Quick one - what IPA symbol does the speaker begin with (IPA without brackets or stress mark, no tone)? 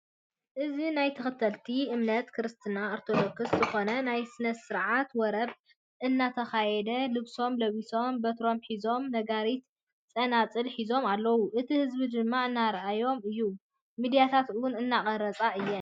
ʔ